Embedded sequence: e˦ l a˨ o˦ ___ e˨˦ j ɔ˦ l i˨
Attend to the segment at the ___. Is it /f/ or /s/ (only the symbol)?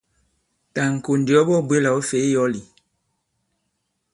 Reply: f